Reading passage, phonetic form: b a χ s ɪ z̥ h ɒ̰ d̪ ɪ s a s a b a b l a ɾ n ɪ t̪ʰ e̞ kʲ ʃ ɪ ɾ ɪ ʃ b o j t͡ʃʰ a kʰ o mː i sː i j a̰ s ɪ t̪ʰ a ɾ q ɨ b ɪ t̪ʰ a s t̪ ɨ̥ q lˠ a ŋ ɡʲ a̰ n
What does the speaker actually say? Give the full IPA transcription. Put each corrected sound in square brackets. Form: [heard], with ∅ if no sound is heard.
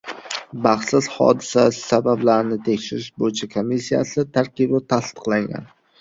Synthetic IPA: b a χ s ɪ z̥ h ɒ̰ d̪ ɪ s a s a b a b l a ɾ n ɪ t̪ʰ e̞ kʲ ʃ ɪ ɾ ɪ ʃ b o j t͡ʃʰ a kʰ o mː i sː i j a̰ s ɪ t̪ʰ a ɾ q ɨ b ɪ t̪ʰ a s t̪ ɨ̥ q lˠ a ŋ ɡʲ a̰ n